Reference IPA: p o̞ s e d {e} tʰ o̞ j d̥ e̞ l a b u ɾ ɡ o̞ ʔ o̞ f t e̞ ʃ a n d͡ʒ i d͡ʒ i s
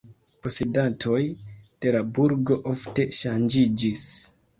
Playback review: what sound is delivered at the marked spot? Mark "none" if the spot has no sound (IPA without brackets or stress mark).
a